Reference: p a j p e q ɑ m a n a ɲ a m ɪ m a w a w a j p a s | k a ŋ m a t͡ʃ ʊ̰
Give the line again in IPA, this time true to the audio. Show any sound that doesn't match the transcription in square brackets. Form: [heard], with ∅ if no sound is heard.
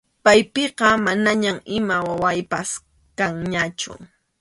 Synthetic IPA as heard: p a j p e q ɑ m a n a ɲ a m ɪ m a w a w a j p a s | k a ŋ [ɲ] a t͡ʃ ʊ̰